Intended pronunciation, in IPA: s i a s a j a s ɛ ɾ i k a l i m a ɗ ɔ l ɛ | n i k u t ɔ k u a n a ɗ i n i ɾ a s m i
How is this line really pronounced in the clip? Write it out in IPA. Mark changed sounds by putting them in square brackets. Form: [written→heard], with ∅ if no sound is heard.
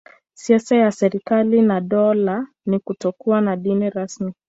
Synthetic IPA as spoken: s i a s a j a s ɛ ɾ i k a l i [m→n] a ɗ ɔ l [ɛ→a] | n i k u t ɔ k u a n a ɗ i n i ɾ a s m i